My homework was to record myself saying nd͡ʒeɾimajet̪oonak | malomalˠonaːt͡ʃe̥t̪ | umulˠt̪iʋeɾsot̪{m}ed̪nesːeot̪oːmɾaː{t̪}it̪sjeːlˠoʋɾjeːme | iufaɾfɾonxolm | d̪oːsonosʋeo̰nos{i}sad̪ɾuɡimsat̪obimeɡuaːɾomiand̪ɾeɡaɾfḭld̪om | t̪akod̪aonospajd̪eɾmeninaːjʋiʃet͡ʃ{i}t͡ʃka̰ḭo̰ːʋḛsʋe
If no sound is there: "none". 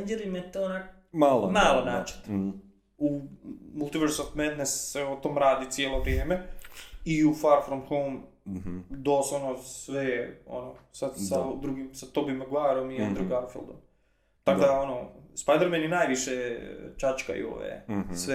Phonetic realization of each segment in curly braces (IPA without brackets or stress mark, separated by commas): m, d̪, a, a